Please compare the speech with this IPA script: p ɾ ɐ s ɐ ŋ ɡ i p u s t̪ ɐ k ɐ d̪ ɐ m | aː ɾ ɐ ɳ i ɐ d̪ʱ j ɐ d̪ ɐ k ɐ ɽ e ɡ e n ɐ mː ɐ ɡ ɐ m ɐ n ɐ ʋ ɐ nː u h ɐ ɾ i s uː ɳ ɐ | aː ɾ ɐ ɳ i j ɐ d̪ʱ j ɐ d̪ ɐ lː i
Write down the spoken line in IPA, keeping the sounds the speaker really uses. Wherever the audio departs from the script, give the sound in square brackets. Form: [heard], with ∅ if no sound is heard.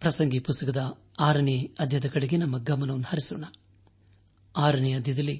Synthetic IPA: p ɾ ɐ s ɐ ŋ ɡ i p u s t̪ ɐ k ɐ d̪ ɐ [∅] | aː ɾ ɐ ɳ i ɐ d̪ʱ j ɐ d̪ ɐ k ɐ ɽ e ɡ e n ɐ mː ɐ ɡ ɐ m ɐ n ɐ ʋ ɐ nː u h ɐ ɾ i s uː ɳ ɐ | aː ɾ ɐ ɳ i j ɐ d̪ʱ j ɐ d̪ ɐ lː i